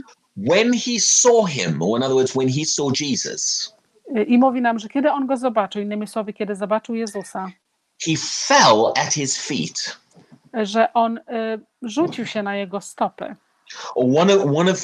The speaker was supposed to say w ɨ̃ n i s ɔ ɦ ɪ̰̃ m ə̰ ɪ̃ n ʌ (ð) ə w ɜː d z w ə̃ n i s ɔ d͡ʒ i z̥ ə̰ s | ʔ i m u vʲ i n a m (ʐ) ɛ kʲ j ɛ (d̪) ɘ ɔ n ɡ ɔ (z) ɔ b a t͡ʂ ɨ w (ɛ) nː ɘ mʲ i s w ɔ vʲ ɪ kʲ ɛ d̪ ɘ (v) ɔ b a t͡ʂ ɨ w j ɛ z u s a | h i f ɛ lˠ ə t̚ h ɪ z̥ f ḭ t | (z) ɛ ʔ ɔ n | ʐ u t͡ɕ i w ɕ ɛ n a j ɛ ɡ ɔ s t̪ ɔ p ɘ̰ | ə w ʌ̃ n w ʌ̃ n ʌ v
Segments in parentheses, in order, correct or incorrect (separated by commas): correct, correct, correct, correct, incorrect, incorrect, incorrect